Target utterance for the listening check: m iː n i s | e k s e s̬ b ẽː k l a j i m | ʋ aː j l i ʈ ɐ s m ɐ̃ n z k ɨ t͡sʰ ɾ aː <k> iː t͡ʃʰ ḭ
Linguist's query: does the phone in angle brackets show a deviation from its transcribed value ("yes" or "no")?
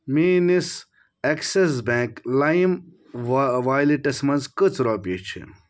yes